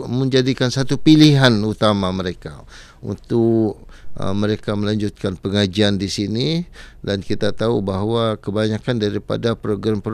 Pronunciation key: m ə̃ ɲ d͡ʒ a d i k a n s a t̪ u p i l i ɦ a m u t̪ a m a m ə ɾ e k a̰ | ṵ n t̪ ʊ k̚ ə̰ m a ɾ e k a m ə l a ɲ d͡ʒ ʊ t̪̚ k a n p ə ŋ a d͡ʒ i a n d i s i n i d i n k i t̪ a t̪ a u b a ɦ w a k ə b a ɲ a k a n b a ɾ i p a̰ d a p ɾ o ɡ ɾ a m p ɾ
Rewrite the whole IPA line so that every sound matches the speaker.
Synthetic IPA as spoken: m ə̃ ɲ d͡ʒ a d i k a n s a t̪ u p i l i ɦ a n u t̪ a m a m ə ɾ e k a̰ | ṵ n t̪ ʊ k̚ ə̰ m ə ɾ e k a m ə l a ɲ d͡ʒ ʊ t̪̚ k a n p ə ŋ a d͡ʒ i a n d i s i n i d a n k i t̪ a t̪ a u b a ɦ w a k ə b a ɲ a k a n d a ɾ i p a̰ d a p ɾ o ɡ ɾ a m p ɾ